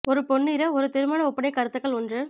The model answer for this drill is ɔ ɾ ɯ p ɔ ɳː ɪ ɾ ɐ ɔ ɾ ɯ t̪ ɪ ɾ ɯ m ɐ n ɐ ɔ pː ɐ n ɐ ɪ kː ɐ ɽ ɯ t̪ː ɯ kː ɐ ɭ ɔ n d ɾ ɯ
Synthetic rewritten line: ɔ ɾ ɯ p ɔ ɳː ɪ ɾ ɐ ɔ ɾ ɯ t̪ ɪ ɾ ɯ m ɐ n ɐ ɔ pː ɐ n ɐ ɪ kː ɐ ɾ ɯ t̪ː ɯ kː ɐ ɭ ɔ n d r ɯ